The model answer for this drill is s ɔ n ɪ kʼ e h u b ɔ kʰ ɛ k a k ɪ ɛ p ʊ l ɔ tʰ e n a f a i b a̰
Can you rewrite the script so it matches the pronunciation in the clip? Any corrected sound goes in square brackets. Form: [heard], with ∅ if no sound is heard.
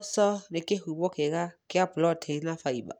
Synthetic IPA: s ɔ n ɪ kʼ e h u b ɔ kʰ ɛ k a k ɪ [a] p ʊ l ɔ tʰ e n a f a i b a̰